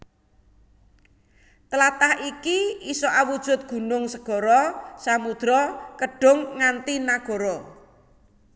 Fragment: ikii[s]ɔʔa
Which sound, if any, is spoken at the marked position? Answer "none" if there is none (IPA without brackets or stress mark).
s